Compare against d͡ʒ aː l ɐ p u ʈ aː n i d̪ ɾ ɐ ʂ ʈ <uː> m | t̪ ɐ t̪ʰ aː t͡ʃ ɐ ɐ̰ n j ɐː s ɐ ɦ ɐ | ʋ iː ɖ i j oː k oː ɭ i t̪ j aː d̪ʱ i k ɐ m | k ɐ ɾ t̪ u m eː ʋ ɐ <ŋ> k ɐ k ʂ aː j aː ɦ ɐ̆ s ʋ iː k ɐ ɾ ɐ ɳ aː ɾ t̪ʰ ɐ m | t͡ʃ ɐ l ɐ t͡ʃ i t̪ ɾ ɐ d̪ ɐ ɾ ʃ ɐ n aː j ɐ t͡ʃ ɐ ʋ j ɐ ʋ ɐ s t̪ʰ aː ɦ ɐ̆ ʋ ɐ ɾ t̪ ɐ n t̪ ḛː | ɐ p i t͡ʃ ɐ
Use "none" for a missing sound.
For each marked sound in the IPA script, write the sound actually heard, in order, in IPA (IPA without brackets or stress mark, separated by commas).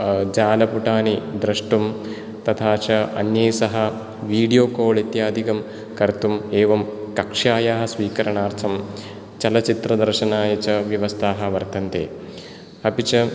u, m